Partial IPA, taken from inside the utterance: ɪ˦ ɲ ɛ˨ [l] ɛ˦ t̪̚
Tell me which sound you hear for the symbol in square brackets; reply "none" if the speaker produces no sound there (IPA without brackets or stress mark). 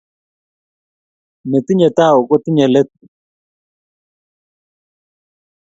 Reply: l